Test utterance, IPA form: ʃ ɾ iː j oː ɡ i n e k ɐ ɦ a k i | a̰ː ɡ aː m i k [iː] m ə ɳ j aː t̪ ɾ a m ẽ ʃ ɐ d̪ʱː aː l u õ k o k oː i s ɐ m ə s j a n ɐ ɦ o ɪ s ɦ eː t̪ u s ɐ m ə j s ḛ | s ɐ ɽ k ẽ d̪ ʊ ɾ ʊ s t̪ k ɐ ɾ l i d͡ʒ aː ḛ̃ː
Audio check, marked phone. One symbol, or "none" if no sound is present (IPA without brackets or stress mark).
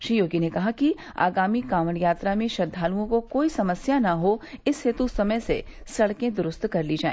aː